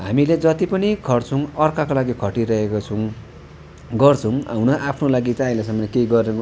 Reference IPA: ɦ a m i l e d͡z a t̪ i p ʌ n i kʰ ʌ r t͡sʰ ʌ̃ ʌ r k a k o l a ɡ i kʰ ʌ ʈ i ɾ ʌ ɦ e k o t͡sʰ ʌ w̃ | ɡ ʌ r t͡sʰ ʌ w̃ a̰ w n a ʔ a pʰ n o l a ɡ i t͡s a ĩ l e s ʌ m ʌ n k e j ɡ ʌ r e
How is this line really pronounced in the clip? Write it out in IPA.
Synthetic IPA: ɦ a m i l e d͡z ʌ t̪ i p ʌ n i kʰ ʌ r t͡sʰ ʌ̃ ʌ r k a k o l a ɡ i kʰ ʌ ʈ i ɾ ʌ ɦ e k o t͡sʰ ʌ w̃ | ɡ ʌ r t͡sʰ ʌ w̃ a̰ w n ʌ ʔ a pʰ n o l a ɡ i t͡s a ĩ l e s ʌ m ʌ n k e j ɡ ʌ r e